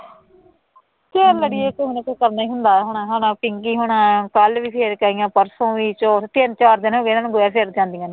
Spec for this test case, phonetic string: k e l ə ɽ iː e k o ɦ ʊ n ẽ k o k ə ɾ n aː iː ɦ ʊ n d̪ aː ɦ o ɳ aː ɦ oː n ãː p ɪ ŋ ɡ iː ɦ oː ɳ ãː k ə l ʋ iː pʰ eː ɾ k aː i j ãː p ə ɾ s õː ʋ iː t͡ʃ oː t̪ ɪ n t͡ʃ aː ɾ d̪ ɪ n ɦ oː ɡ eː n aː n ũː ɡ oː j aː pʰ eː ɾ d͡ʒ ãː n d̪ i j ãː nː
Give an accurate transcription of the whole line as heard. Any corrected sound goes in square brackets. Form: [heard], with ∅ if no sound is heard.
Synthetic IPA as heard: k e l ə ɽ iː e k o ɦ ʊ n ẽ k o k ə ɾ n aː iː ɦ ʊ n d̪ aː ɦ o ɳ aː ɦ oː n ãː p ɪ ŋ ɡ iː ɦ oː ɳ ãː k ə l ʋ iː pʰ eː ɾ k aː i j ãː p ə ɾ s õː ʋ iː t͡ʃ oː t̪ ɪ n t͡ʃ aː ɾ d̪ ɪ n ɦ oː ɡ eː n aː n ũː ɡ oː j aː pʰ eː ɾ d͡ʒ ãː n d̪ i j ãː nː

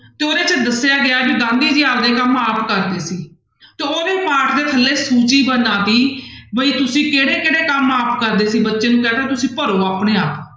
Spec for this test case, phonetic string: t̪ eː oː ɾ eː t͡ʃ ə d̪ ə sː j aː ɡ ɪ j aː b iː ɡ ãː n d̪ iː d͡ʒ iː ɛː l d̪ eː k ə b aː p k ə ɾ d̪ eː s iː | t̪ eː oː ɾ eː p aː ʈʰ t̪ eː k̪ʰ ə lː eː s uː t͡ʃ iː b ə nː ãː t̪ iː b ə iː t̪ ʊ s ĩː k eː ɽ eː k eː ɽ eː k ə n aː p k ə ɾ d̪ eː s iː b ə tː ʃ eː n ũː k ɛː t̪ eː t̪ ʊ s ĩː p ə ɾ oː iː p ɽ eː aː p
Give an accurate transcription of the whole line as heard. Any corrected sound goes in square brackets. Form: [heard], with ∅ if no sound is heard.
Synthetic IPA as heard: t̪ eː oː ɾ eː t͡ʃ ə d̪ ə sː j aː ɡ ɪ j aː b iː ɡ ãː n d̪ iː d͡ʒ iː [aː] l d̪ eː k ə [m] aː p k ə ɾ d̪ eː s iː | t̪ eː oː ɾ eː p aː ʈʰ [d̪] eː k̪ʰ ə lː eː s uː t͡ʃ iː b ə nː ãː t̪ iː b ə iː t̪ ʊ s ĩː k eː ɽ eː k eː ɽ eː k ə [m] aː p k ə ɾ d̪ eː s iː b ə tː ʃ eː n ũː k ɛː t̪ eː t̪ ʊ s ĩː p ə ɾ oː [aː] p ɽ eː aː p

